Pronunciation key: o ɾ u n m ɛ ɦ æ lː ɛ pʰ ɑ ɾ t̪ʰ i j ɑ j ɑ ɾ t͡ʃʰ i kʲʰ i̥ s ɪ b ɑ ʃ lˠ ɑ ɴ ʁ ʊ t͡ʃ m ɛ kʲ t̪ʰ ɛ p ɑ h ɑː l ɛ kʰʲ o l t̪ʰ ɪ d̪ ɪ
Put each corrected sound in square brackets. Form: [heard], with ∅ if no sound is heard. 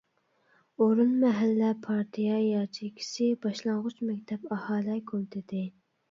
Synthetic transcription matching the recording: o ɾ u n m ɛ ɦ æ lː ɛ pʰ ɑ ɾ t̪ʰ i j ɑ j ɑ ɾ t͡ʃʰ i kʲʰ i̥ s ɪ b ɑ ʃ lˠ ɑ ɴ ʁ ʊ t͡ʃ m ɛ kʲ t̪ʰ ɛ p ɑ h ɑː l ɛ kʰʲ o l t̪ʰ ɪ d̪ ɪ